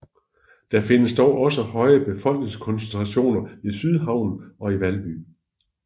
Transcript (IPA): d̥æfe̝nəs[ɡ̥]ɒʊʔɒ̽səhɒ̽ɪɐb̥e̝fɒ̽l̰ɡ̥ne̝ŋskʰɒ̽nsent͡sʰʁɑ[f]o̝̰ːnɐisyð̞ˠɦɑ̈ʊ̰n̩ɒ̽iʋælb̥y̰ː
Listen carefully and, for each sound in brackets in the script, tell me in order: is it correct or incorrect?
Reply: incorrect, incorrect

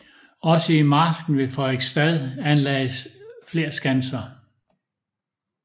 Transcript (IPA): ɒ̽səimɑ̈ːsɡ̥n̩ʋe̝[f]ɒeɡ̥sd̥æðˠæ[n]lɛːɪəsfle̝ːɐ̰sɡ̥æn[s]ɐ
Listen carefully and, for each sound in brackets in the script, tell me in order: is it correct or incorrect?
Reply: correct, correct, correct

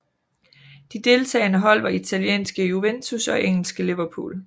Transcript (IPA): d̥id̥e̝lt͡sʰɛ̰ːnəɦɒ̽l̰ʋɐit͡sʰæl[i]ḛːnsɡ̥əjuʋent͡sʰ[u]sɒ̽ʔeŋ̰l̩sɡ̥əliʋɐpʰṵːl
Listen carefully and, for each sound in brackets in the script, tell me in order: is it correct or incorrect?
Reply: incorrect, correct

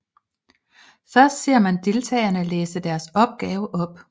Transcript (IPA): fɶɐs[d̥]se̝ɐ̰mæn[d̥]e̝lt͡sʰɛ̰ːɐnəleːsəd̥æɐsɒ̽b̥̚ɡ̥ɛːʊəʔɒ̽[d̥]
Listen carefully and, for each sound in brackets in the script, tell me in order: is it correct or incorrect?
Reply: correct, correct, incorrect

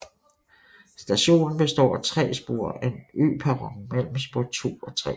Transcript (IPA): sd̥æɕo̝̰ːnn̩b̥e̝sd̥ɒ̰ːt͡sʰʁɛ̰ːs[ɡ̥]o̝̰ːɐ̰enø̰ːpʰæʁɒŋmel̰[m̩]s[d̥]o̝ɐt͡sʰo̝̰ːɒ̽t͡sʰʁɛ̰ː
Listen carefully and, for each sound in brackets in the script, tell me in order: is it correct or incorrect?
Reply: incorrect, correct, incorrect

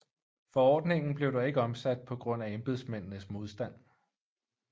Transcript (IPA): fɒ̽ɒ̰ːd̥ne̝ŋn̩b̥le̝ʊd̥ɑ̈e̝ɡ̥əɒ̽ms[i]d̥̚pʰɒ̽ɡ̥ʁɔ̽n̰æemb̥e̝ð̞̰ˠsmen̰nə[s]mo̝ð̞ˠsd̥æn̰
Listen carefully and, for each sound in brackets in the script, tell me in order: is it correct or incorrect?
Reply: incorrect, correct

